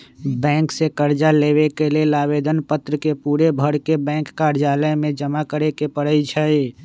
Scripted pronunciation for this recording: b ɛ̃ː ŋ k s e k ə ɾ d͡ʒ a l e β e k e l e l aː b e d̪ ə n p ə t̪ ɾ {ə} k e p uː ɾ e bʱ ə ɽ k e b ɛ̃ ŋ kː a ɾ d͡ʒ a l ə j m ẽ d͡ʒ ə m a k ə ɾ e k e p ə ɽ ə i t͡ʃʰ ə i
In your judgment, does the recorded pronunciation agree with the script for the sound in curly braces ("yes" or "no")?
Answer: yes